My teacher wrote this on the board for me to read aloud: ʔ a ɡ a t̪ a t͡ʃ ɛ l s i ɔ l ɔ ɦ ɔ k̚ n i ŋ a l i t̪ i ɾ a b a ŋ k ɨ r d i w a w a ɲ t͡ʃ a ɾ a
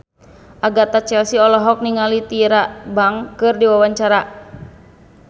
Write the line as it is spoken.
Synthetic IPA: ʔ a ɡ a t̪ a t͡ʃ ɛ l s i ɔ l ɔ ɦ ɔ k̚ n i ŋ a l i t̪ i ɾ a b a ŋ k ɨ r d i w a w a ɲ t͡ʃ a ɾ a